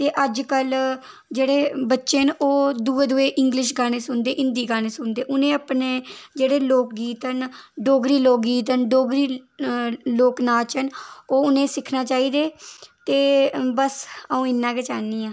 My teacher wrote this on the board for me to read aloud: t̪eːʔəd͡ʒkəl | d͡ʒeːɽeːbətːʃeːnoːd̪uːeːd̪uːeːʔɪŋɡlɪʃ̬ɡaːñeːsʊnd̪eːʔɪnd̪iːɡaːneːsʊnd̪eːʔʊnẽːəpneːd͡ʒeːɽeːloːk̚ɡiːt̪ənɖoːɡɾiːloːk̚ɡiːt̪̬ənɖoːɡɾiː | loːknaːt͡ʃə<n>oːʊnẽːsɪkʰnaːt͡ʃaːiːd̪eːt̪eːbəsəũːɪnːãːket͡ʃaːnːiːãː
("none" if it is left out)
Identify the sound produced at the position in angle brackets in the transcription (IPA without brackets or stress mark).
n